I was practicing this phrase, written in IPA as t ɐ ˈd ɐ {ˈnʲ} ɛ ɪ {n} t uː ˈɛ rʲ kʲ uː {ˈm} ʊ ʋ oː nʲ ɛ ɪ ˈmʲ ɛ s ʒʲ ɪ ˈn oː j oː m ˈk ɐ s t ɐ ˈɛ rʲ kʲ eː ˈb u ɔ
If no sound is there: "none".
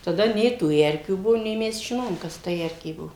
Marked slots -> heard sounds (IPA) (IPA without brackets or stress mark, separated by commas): nʲ, none, b